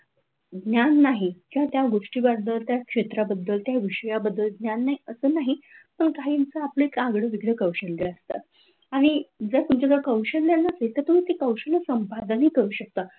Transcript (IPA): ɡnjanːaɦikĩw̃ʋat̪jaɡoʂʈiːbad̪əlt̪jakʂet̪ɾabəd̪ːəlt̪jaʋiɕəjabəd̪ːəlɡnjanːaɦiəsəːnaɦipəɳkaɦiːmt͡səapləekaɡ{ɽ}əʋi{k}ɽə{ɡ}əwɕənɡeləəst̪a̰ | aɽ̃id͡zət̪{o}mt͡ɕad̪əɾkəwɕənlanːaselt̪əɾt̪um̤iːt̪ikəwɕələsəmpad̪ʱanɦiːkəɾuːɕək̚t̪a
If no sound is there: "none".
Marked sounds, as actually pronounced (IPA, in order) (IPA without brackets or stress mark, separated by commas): ɽ, ɡ, k, u